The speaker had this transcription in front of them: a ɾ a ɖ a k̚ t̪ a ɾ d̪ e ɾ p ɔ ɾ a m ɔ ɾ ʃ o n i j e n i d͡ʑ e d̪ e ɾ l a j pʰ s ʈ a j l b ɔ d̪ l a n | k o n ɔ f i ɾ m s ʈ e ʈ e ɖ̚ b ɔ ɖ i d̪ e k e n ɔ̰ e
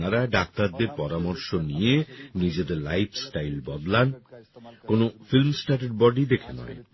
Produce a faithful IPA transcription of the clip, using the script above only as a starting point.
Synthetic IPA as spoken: a ɾ a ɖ a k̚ t̪ a ɾ d̪ e ɾ p ɔ ɾ a m ɔ ɾ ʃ o n i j e n i d͡ʑ e d̪ e ɾ l a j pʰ s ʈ a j l b ɔ d̪ l a n | k o n o f i l m s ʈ a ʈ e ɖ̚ b ɔ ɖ i d̪ e kʰ e n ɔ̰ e